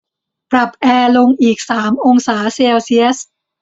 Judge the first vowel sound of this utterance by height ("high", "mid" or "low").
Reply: low